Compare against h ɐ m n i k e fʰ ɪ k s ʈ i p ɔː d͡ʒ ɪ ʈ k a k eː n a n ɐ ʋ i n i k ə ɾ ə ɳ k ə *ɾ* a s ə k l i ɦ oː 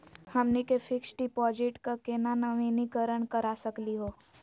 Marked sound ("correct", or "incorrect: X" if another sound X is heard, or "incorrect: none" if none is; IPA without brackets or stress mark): correct